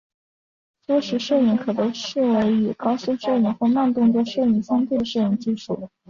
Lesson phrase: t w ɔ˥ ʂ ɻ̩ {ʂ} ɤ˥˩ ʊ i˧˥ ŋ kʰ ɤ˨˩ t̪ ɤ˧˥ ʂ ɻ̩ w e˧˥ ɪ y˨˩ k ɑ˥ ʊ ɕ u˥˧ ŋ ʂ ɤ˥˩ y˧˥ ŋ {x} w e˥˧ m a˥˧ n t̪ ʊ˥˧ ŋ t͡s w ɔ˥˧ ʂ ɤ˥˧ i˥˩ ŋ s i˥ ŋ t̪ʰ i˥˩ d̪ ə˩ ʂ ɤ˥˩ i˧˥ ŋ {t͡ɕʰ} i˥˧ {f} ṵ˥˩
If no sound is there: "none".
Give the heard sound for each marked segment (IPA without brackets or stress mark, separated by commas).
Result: ʂ, x, t͡ɕ, ʂ